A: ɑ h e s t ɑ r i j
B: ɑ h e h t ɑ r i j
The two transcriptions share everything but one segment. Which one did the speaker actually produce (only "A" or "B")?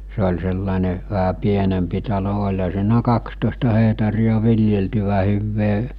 B